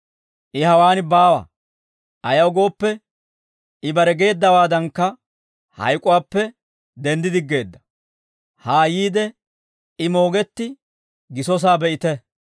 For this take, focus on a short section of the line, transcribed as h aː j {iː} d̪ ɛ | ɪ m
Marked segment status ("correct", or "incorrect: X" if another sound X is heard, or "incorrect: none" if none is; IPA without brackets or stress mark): correct